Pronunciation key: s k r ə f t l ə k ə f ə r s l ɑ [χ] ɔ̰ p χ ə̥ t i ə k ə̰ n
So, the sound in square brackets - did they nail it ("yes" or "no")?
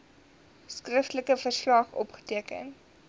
yes